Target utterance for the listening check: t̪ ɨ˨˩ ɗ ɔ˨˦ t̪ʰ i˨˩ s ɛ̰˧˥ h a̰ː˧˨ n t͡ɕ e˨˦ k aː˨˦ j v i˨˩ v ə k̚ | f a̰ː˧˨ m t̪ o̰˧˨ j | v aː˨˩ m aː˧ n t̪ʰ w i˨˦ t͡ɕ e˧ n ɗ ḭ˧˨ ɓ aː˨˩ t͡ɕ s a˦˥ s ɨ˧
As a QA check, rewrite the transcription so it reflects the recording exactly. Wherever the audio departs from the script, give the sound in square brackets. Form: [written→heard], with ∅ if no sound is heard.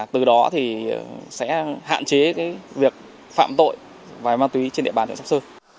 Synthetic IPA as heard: t̪ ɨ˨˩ ɗ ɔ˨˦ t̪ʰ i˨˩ s ɛ̰˧˥ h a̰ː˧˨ n t͡ɕ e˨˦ k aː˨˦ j v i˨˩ [v→∅] ə k̚ | f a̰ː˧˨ m t̪ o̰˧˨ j | v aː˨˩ m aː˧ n [t̪ʰ→t̪] w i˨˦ t͡ɕ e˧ n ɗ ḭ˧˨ ɓ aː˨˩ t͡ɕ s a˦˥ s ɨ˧